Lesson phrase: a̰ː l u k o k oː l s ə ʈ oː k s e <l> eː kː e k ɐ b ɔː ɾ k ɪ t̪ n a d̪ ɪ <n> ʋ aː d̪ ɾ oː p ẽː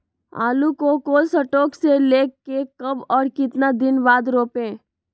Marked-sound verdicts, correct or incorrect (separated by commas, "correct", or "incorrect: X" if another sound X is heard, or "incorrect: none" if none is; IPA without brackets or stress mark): correct, correct